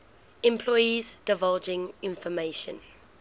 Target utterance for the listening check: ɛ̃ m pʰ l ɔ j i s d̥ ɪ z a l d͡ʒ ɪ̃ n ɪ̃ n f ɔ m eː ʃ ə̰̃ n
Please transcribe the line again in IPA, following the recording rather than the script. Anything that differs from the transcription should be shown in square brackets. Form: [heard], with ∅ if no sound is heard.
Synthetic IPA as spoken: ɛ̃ m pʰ l ɔ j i [z] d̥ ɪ [v] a l d͡ʒ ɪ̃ [ŋ] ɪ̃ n f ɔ m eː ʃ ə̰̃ n